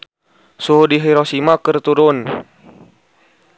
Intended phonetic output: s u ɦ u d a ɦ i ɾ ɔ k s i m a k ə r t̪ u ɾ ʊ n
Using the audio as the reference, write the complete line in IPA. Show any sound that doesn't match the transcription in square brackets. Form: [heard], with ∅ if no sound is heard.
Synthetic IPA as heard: s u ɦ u d [i] ɦ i ɾ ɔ [∅] s i m a k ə r t̪ u ɾ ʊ n